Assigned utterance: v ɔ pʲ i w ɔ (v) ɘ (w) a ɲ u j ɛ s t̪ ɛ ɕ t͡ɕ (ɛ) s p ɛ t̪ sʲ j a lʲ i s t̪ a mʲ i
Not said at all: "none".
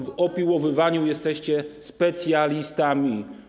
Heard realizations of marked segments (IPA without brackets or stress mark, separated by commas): v, v, ɛ